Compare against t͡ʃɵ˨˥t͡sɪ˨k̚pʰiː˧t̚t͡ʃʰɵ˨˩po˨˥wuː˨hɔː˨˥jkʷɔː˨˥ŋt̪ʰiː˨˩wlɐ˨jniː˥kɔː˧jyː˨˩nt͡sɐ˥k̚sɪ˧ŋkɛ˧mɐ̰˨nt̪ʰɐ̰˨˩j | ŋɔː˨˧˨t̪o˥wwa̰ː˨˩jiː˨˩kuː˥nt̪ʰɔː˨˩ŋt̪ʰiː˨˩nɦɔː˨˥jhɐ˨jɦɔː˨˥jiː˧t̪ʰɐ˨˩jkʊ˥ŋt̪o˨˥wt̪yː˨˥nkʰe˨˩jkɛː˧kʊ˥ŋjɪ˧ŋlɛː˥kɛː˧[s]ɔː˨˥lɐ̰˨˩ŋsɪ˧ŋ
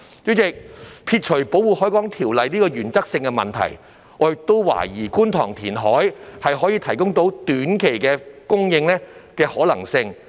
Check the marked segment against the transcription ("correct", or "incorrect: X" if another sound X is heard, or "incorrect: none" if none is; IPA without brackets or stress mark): incorrect: h